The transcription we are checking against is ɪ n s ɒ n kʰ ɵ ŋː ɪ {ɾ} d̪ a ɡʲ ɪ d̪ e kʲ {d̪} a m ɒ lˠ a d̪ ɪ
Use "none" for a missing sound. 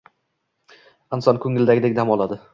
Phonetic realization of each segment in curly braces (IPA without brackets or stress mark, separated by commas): l, d̪